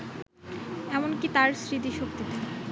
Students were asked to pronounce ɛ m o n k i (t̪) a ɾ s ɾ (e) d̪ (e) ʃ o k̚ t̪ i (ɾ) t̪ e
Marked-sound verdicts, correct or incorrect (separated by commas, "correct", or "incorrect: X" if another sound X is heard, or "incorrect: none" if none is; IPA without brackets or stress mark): correct, incorrect: i, incorrect: i, incorrect: none